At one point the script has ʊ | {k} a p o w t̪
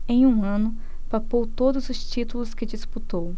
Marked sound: incorrect: p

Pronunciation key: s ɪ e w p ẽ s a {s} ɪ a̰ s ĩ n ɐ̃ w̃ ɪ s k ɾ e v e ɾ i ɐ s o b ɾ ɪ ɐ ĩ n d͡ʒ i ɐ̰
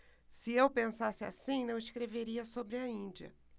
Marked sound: correct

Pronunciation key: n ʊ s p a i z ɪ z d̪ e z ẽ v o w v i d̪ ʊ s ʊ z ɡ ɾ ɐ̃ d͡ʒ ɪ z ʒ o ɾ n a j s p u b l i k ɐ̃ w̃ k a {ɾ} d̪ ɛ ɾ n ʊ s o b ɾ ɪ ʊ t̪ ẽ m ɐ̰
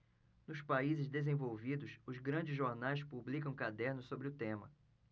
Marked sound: incorrect: none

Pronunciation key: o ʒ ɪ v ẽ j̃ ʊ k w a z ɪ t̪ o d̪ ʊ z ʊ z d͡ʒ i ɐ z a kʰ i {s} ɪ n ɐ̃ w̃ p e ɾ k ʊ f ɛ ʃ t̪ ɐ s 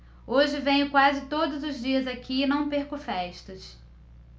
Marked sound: incorrect: none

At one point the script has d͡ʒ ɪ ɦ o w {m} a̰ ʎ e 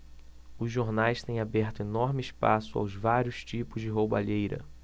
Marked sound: incorrect: b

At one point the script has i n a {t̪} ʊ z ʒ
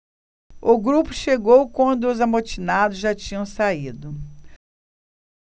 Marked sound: incorrect: d̪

